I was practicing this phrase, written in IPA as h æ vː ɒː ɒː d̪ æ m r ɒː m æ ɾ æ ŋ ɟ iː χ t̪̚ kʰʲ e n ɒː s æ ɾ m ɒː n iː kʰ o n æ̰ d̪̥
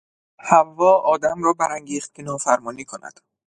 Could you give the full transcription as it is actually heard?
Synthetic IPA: h æ vː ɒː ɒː d̪ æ m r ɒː b æ ɾ æ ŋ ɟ iː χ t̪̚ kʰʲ e n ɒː f æ ɾ m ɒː n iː kʰ o n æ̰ d̪̥